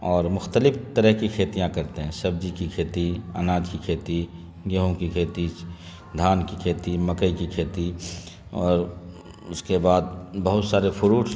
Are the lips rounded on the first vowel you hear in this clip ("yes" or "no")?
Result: yes